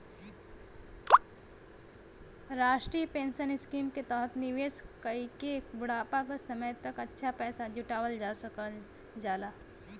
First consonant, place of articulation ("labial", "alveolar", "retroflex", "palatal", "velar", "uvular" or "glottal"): alveolar